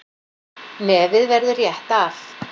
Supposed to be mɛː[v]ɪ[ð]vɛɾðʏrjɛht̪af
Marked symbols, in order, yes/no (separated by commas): yes, yes